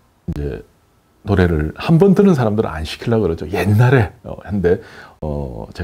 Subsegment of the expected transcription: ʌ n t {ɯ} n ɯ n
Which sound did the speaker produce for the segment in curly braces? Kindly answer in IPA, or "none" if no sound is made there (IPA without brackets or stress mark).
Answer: ɯ